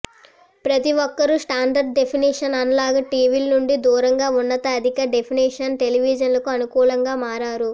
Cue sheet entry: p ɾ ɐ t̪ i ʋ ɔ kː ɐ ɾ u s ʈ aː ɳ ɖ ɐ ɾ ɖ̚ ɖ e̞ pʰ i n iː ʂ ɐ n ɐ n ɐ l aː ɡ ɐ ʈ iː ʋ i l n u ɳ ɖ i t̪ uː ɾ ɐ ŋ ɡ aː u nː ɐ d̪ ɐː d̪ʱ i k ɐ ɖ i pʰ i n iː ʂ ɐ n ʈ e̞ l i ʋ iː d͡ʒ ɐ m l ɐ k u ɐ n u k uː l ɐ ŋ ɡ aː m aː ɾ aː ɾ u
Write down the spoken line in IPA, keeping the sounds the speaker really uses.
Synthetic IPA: p ɾ ɐ t̪ i ʋ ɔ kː ɐ ɾ u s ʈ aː ɳ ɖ ɐ ɾ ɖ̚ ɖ e̞ pʰ i n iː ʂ ɐ n ɐ n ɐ l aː ɡ ɐ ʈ iː ʋ i l n u ɳ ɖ i d̪ uː ɾ ɐ ŋ ɡ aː u nː ɐ t̪ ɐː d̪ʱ i k ɐ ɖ e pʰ i n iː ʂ ɐ n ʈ e̞ l i ʋ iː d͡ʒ ɐ n l ɐ k u ɐ n u k uː l ɐ ŋ ɡ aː m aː ɾ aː ɾ u

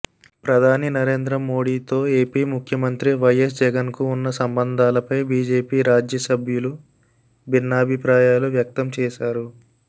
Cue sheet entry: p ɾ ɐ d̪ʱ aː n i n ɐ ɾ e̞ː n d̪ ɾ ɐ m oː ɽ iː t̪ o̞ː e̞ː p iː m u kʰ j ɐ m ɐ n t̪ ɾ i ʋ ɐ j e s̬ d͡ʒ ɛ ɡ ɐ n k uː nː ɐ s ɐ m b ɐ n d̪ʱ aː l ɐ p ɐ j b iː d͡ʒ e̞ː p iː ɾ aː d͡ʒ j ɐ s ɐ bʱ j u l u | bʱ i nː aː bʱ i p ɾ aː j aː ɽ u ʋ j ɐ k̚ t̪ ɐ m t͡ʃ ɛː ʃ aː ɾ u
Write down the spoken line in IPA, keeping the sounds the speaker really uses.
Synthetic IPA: p ɾ ɐ d̪ʱ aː n i n ɐ ɾ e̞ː n d̪ ɾ ɐ m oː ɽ iː t̪ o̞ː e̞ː p iː m u kʰ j ɐ m ɐ n t̪ ɾ i ʋ ɐ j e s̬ d͡ʒ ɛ ɡ ɐ n k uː nː ɐ s ɐ m b ɐ n d̪ʱ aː l ɐ p ɐ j b iː d͡ʒ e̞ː p iː ɾ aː d͡ʒ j ɐ s ɐ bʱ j u l u | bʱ i nː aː bʱ i p ɾ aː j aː l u ʋ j ɐ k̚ t̪ ɐ m t͡ʃ ɛː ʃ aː ɾ u

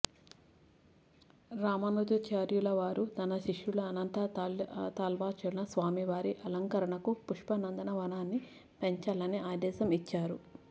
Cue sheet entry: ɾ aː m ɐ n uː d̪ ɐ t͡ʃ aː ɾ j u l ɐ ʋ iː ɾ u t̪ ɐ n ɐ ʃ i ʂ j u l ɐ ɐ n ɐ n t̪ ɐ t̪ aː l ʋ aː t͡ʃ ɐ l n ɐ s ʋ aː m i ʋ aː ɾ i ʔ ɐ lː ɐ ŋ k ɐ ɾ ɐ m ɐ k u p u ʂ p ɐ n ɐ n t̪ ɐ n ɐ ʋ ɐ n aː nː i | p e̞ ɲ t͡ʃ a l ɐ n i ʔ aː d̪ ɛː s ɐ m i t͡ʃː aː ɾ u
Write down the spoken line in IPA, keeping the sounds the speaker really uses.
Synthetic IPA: ɾ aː m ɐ n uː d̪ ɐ t͡ʃ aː ɾ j u l ɐ ʋ aː ɾ u t̪ ɐ n ɐ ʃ i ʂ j u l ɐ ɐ n ɐ n t̪ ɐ t̪ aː l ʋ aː t͡ʃ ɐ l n ɐ s ʋ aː m i ʋ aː ɾ i ʔ ɐ l ɐ ŋ k ɐ ɾ ɐ ɳ ɐ k u p u ʂ p ɐ n ɐ n d̪ ɐ n ɐ ʋ ɐ n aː nː i | p e̞ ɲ t͡ʃ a l ɐ n i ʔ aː d̪ ɛː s ɐ m i t͡ʃː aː ɾ u

